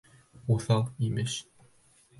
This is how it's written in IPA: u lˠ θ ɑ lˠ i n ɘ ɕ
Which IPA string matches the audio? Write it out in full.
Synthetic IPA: u θ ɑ lˠ i m ɘ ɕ